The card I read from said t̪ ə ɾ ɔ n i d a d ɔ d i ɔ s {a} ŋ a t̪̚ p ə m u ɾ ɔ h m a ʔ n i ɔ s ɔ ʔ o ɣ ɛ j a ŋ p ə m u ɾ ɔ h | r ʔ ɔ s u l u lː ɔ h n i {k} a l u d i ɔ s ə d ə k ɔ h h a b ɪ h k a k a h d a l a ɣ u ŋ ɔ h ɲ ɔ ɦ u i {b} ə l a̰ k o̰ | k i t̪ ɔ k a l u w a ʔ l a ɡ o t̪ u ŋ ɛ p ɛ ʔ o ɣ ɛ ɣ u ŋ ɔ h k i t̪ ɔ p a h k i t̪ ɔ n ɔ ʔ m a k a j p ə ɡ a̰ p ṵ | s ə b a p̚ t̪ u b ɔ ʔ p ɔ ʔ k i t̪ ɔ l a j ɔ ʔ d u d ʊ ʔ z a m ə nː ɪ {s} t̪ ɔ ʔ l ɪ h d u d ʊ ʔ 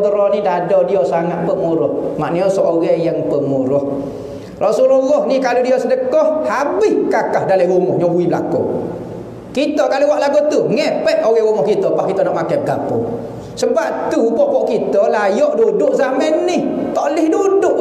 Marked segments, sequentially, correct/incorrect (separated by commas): correct, correct, correct, incorrect